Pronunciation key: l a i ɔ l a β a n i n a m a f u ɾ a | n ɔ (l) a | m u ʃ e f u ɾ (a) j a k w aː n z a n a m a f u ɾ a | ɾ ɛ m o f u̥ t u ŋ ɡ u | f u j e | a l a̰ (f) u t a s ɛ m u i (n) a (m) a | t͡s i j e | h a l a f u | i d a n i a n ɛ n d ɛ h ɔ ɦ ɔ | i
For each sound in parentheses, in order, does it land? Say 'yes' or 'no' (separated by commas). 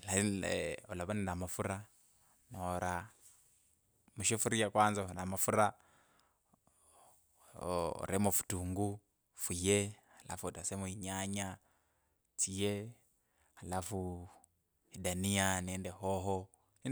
no, no, yes, no, no